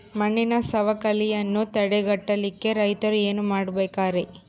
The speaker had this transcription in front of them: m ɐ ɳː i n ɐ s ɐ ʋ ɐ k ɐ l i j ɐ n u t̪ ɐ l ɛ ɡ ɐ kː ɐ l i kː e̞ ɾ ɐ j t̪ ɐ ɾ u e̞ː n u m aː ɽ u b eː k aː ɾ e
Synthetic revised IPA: m ɐ ɳː i n ɐ s ɐ ʋ ɐ k ɐ l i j ɐ nː u t̪ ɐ ɽ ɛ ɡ ɐ ʈː ɐ l i kː e̞ ɾ ɐ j t̪ ɐ ɾ u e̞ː n u m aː ɽ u b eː k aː ɾ e

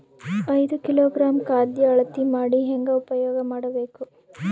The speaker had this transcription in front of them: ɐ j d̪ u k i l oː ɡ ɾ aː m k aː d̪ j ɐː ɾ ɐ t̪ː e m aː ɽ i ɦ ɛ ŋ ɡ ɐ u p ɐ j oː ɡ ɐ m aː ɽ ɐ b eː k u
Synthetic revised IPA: ɐ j d̪ u k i l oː ɡ ɾ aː m k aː d̪ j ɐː ɭ ɐ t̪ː i m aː ɽ i ɦ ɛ ŋ ɡ ɐ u p ɐ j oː ɡ ɐ m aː ɽ ɐ b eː k u

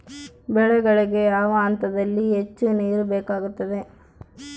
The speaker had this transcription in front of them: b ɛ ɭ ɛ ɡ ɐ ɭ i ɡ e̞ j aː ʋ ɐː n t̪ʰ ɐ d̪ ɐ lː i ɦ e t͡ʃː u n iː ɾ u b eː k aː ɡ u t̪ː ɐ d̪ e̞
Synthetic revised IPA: b ɛ ɭ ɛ ɡ ɐ ɭ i ɡ e̞ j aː ʋ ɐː n t̪ ɐ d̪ ɐ lː i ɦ e t͡ʃː u n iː ɾ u b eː k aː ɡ u t̪ː ɐ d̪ e̞

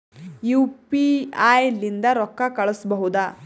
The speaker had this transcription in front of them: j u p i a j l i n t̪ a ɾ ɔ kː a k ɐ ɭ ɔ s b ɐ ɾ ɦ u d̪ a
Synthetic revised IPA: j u p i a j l i n d̪ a ɾ ɔ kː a k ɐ ɭ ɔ s b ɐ ɦ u d̪ a

